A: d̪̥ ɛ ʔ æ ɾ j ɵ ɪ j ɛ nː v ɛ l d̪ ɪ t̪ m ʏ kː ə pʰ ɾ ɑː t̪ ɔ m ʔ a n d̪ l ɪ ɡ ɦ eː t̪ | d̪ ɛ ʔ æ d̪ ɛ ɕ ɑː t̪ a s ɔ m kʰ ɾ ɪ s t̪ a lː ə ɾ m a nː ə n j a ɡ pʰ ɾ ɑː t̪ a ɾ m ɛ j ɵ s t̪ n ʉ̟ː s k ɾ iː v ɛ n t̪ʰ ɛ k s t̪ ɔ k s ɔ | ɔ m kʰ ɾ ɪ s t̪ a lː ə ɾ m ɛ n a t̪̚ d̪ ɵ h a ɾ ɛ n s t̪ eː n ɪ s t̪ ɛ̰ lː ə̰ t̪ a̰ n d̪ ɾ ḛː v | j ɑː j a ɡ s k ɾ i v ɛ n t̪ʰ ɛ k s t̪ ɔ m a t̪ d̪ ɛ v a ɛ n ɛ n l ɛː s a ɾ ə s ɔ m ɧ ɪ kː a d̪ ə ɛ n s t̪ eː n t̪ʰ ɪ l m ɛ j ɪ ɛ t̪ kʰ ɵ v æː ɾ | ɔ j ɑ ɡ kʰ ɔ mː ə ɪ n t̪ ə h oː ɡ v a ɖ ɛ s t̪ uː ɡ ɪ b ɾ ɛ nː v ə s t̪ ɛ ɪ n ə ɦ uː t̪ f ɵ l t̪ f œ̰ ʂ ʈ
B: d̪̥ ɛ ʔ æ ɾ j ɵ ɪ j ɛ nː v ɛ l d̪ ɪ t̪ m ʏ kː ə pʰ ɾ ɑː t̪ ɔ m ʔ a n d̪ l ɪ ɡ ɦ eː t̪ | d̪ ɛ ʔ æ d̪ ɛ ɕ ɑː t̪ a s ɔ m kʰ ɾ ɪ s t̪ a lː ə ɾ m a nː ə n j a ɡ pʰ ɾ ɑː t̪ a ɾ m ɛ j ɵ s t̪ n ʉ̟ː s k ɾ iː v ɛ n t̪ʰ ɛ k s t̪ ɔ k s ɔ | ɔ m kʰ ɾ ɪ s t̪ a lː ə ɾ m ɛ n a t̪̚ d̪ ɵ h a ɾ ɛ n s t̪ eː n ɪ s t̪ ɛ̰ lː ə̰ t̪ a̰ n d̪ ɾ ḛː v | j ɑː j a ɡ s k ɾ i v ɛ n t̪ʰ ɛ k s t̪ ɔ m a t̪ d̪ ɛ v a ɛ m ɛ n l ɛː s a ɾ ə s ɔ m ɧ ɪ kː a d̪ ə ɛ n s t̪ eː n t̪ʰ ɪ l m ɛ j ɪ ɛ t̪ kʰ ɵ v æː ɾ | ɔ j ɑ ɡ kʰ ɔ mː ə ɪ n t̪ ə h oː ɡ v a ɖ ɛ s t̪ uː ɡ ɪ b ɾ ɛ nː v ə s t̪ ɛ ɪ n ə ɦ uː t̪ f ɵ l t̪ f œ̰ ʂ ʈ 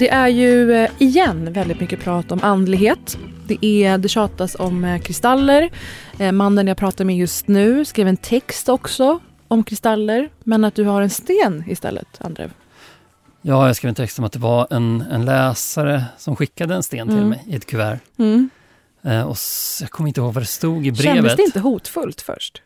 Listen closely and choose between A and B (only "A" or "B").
A